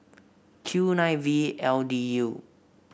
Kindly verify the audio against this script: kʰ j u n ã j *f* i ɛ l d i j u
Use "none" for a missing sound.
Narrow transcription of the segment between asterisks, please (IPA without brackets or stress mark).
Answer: v